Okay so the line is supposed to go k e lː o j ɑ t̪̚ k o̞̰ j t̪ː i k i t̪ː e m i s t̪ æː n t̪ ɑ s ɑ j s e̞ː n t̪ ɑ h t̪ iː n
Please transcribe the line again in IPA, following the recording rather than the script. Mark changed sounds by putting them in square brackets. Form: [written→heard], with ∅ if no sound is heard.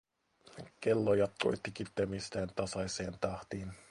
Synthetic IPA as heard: k e lː o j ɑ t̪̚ k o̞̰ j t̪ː i k i t̪ː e m i s t̪ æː n t̪ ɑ s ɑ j s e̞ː n t̪ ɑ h t̪ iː n